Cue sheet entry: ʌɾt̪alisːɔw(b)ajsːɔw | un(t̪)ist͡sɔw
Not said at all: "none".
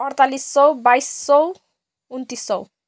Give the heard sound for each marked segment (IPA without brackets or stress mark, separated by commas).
b, t̪